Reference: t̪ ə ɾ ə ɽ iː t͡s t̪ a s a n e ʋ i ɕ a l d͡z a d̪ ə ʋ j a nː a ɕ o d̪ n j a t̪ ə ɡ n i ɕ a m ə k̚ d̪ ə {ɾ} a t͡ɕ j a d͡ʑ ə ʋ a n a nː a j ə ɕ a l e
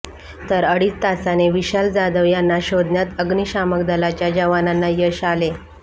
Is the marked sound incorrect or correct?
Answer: incorrect